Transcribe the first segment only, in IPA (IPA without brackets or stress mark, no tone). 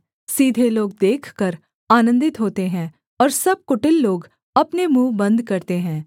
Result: s